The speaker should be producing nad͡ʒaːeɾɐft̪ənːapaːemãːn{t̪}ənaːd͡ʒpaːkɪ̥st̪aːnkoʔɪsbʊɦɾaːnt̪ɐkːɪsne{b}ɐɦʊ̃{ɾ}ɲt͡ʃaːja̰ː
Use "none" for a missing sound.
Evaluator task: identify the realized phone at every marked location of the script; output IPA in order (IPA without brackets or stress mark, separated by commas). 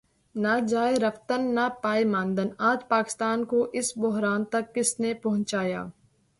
d̪, p, none